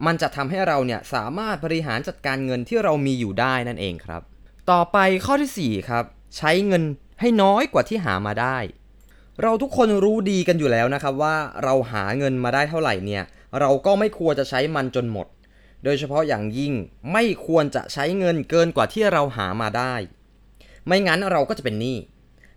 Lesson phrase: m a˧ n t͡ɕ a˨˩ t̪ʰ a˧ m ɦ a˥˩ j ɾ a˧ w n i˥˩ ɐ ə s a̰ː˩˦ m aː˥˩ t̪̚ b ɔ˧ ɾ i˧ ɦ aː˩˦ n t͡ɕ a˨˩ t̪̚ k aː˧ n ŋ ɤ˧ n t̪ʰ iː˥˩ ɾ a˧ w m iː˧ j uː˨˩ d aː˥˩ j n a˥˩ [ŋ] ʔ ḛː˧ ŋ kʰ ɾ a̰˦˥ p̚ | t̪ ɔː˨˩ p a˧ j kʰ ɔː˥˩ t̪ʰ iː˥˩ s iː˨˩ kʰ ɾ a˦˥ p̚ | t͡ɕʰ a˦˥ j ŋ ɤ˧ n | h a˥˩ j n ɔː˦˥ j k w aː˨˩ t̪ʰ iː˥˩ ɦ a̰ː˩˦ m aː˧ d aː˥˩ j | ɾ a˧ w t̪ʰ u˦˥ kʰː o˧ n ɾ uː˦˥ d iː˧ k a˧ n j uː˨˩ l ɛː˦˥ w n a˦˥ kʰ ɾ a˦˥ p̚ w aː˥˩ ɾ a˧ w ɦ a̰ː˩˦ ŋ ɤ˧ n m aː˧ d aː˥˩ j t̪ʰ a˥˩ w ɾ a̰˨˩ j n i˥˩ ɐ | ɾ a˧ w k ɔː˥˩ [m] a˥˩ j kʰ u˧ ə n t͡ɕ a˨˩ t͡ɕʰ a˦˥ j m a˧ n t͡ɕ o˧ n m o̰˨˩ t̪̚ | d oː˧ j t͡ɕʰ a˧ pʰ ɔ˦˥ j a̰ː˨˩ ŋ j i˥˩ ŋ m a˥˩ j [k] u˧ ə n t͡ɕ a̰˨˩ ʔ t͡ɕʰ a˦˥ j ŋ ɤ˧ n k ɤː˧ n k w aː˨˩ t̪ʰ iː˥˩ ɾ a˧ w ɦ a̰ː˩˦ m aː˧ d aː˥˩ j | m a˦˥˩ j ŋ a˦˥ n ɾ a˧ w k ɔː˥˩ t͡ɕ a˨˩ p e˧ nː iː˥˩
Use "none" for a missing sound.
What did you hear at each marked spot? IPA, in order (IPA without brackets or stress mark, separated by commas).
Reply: n, m, kʰ